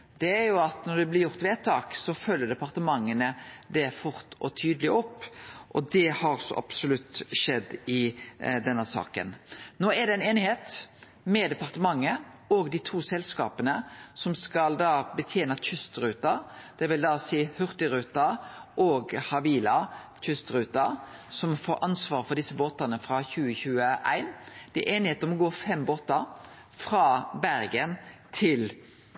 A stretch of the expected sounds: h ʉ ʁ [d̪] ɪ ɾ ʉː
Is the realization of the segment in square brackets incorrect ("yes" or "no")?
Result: yes